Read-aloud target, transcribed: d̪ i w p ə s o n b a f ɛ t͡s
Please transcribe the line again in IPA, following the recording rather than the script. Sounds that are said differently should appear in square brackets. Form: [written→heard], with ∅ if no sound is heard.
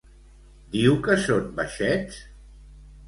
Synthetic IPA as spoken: d̪ i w [p→k] ə s o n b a [f→ʃ] ɛ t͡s